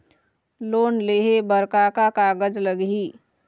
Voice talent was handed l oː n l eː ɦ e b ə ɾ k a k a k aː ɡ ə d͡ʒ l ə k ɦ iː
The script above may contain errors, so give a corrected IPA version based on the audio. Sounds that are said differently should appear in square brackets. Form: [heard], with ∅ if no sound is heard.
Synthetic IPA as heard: l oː n l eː ɦ e b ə ɾ k a k a k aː ɡ ə d͡ʒ l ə [ɡ] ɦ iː